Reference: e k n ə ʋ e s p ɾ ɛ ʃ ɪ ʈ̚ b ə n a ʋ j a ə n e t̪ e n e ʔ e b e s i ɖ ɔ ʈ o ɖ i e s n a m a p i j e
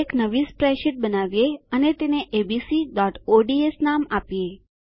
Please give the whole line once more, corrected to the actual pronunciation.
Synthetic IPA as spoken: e k n ə ʋ i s p ɾ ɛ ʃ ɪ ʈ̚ b ə n a ʋ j e ə n e t̪ e n e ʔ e b i s i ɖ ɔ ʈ o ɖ i e s n a m a p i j e